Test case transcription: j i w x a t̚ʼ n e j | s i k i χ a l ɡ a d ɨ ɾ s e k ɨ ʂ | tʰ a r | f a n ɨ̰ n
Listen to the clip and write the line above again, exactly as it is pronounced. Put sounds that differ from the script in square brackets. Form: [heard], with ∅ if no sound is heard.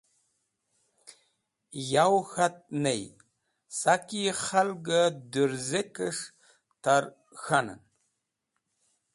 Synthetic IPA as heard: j [a] w x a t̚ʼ n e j | s [a] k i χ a l ɡ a d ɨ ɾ [z] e k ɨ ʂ | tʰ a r | [x] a n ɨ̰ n